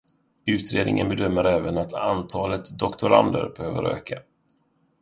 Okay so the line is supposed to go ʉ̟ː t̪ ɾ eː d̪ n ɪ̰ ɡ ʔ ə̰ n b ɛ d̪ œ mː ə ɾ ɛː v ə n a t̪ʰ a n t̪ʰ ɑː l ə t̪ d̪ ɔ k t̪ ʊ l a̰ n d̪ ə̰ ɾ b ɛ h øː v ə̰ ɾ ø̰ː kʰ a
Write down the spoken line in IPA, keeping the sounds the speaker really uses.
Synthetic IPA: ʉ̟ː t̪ ɾ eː d̪ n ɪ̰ ŋ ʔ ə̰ n b ɛ d̪ œ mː ə ɾ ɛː v ə n a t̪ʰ a n t̪ʰ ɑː l ə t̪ d̪ ɔ k t̪ ʊ ɾ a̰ n d̪ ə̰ ɾ b ɛ h øː v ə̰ ɾ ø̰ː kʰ a